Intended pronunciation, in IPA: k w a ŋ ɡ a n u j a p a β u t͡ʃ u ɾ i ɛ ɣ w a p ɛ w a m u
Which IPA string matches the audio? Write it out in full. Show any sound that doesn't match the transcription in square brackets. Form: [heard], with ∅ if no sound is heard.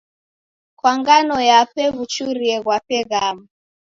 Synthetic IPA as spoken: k w a ŋ ɡ a n [ɔ] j a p [ɛ] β u t͡ʃ u ɾ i ɛ ɣ w a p ɛ [ɣ] a m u